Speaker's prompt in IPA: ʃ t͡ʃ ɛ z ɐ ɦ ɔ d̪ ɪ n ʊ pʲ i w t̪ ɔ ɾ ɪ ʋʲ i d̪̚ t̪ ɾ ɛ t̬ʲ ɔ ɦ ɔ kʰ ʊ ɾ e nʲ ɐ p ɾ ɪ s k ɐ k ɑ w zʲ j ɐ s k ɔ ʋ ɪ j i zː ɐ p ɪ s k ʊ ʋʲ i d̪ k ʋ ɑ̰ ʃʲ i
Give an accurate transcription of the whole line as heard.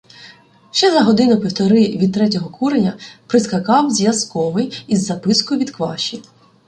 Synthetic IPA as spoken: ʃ t͡ʃ ɛ z ɐ ɦ ɔ d̪ ɪ n ʊ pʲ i w t̪ ɔ ɾ ɪ ʋʲ i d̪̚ t̪ ɾ ɛ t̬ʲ ɔ ɦ ɔ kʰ u ɾ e nʲ ɐ p ɾ ɪ s k ɐ k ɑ w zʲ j ɐ s k ɔ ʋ ɪ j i zː ɐ p ɪ s k ʊ ʋʲ i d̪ k ʋ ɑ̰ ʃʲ i